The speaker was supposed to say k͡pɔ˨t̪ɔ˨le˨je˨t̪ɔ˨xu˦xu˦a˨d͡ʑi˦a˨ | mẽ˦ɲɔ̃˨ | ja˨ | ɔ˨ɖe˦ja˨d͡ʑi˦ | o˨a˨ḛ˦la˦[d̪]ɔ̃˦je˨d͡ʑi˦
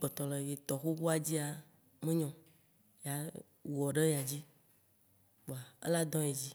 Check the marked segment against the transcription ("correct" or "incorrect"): correct